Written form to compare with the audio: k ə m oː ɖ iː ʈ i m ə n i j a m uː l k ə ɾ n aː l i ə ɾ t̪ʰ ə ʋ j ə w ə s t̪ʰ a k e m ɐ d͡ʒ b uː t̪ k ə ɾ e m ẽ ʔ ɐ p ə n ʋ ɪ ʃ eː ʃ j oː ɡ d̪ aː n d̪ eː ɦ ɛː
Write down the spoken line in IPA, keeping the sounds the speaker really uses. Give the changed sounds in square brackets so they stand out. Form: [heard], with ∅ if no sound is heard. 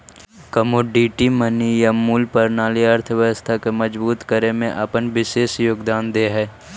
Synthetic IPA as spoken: k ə m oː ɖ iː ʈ i m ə n i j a m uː l [p] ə ɾ n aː l i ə ɾ t̪ʰ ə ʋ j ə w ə s t̪ʰ a k e m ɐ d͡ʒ b uː t̪ k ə ɾ e m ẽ ʔ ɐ p ə n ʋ ɪ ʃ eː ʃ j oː ɡ d̪ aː n d̪ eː ɦ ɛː